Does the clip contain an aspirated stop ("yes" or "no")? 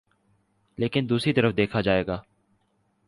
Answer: yes